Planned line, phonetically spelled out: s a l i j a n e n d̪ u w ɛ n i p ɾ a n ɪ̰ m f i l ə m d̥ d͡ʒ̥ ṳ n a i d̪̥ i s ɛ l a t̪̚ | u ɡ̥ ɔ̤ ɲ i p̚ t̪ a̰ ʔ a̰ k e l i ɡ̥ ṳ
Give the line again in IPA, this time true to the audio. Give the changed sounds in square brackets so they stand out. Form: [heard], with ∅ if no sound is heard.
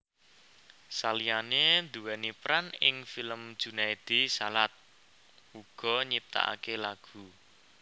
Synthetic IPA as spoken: s a l i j a n e n d̪ u w ɛ n i p ɾ a n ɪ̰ [ŋ] f i l ə m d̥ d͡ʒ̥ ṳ n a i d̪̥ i s [a] l a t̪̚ | u ɡ̥ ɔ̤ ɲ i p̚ t̪ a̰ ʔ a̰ k e l [a] ɡ̥ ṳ